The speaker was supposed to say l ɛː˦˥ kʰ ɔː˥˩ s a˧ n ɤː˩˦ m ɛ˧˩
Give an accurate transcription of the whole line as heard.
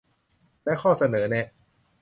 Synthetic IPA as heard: l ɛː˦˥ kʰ ɔː˥˩ s a˧ n ɤː˩˦ n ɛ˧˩